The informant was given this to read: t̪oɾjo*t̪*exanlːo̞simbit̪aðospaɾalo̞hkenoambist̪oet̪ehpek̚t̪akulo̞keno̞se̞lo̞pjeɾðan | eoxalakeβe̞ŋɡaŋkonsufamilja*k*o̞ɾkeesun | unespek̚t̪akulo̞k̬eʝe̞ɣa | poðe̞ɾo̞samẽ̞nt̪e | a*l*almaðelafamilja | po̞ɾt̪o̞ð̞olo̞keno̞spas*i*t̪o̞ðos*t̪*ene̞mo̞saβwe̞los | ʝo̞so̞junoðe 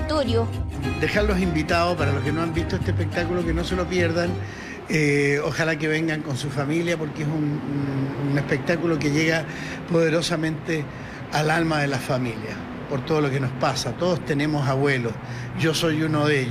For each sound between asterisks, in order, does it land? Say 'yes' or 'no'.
no, no, yes, no, yes

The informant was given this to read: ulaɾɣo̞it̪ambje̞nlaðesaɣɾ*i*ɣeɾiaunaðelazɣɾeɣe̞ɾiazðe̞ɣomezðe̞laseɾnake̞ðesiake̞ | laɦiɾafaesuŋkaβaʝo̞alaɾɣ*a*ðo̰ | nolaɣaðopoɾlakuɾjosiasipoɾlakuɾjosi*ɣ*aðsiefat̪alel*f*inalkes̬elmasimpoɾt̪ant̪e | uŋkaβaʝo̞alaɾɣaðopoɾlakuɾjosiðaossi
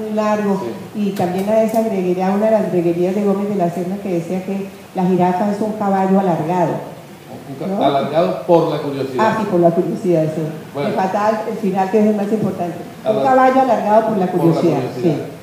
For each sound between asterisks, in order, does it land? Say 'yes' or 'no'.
no, yes, no, yes

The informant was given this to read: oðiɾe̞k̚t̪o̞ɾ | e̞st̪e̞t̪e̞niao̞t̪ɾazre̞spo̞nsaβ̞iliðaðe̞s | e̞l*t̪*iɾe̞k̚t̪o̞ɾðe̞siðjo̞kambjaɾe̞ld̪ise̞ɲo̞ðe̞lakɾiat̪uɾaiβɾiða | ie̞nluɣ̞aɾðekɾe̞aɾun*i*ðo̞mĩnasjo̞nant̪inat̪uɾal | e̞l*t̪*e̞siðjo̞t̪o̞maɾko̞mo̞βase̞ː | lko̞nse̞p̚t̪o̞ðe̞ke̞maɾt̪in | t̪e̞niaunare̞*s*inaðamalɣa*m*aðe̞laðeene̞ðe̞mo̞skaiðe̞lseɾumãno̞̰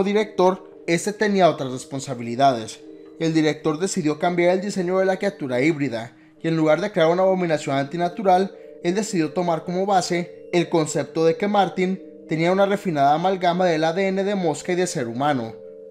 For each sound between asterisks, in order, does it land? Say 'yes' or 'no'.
no, no, no, no, yes

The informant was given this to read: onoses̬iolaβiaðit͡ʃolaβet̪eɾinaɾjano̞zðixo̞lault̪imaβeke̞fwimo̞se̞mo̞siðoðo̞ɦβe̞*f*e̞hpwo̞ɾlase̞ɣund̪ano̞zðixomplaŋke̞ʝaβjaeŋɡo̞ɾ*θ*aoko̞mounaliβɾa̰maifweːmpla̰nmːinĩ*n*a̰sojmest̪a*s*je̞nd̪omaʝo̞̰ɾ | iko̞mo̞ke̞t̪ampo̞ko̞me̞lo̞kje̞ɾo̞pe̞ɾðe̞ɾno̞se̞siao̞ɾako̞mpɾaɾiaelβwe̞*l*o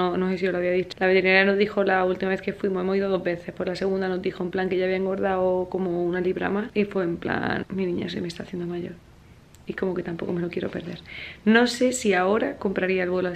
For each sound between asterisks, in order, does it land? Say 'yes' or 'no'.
no, no, no, no, yes

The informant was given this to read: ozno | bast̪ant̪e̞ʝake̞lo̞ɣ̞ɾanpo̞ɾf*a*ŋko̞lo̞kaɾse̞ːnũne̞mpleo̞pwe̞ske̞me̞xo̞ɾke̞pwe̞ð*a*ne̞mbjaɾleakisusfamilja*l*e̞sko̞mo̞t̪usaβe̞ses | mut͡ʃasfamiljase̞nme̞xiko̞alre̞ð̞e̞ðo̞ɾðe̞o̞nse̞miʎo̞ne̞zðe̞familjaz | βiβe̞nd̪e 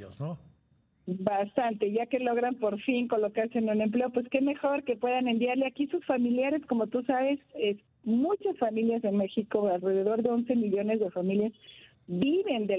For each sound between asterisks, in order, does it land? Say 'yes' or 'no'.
no, yes, no

